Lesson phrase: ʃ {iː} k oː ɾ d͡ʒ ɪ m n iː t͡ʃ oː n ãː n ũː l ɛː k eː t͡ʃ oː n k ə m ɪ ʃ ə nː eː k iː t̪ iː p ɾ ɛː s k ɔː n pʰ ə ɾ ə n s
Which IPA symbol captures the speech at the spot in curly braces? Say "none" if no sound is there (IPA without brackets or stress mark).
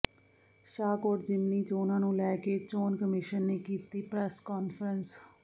aː